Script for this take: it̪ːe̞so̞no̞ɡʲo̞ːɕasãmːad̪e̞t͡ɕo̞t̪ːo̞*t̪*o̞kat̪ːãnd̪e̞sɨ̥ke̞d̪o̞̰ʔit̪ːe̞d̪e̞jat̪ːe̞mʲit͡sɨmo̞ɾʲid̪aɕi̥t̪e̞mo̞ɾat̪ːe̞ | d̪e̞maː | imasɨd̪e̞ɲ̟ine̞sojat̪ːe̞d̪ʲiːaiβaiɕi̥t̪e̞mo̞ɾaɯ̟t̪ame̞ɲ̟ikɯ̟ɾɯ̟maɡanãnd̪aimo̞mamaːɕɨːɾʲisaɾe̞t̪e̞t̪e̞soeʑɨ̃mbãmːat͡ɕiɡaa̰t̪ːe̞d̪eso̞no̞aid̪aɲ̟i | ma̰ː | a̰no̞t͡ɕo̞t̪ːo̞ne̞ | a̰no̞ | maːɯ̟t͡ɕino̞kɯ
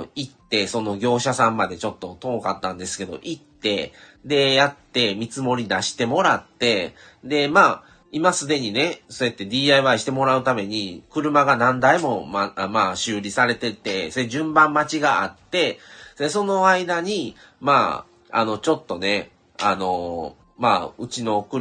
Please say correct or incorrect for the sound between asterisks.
correct